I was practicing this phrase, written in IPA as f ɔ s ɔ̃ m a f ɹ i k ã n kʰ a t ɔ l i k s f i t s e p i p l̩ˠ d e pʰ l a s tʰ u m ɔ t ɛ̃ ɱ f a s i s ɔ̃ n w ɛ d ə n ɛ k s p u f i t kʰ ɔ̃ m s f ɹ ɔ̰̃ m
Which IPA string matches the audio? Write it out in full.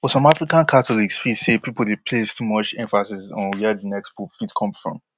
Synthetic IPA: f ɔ s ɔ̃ m a f ɹ i k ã n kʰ a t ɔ l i k s f i t s e p i p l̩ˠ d e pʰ l e s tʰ u m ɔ t͡ʃ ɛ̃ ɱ f a s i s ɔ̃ n w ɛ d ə n ɛ k s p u f i t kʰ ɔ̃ m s f ɹ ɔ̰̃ m